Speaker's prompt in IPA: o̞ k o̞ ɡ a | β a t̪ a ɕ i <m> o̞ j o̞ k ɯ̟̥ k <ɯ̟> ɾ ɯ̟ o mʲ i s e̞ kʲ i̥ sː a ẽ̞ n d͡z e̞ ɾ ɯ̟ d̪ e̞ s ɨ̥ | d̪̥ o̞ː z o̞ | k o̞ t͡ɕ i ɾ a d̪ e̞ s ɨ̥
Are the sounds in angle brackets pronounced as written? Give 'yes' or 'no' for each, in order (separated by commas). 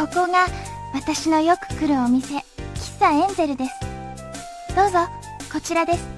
no, yes